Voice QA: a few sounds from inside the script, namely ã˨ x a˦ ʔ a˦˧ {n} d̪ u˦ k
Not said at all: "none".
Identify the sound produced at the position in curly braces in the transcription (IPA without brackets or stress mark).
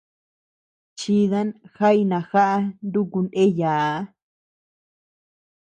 n